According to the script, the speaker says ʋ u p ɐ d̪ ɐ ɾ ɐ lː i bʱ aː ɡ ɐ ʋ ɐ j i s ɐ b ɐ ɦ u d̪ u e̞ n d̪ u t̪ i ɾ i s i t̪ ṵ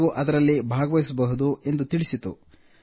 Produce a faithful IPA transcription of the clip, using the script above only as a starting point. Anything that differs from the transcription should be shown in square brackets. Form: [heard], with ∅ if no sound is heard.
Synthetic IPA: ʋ u [ʔ] ɐ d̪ ɐ ɾ ɐ lː i bʱ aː ɡ ɐ ʋ ɐ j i s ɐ b ɐ ɦ u d̪ u e̞ n d̪ u t̪ i [ɭ] i s i t̪ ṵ